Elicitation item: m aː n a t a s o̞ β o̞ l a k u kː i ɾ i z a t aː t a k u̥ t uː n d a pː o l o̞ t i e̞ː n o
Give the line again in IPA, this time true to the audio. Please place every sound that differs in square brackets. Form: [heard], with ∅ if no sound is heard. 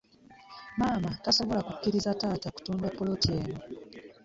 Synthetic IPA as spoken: m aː [m] a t a s o̞ β o̞ l a k u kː i ɾ i z a t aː t a k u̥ t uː n d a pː o l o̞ t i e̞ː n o